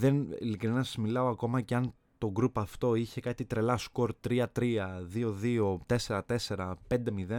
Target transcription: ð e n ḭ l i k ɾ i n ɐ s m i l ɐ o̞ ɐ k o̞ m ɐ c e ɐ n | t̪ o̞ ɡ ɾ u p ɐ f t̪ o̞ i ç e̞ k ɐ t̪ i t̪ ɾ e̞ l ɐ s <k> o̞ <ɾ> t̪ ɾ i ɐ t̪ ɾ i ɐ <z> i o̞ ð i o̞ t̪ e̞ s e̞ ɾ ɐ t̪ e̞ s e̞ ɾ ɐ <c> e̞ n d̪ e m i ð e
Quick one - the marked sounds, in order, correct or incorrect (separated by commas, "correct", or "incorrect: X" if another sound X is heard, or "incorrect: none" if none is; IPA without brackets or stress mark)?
correct, correct, incorrect: ð, incorrect: p